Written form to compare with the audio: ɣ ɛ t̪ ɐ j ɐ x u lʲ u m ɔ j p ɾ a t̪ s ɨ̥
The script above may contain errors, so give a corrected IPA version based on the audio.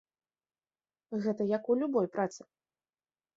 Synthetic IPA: ɣ ɛ t̪ ɐ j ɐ k u lʲ u b ɔ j p ɾ a t̪ s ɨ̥